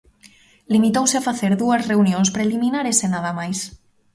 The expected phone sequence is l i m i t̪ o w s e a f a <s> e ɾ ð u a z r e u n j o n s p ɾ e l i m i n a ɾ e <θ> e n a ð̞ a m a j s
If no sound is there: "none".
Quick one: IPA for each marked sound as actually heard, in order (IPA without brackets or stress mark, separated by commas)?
θ, s